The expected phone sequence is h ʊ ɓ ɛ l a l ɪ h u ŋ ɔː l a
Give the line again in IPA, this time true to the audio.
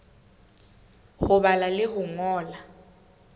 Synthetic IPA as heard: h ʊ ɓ a l a l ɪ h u ŋ ɔː l a